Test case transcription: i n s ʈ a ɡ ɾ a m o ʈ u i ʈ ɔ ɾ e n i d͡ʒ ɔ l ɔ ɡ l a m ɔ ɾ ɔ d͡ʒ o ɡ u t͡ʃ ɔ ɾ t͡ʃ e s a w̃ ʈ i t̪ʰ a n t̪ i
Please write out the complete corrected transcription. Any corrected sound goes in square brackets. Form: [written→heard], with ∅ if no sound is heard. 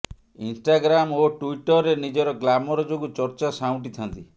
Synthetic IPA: i n s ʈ a ɡ ɾ a m o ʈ u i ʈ ɔ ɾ e n i d͡ʒ ɔ [l→ɾ] ɔ ɡ l a m ɔ ɾ ɔ d͡ʒ o ɡ u t͡ʃ ɔ ɾ t͡ʃ [e→a] s a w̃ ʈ i t̪ʰ a n t̪ i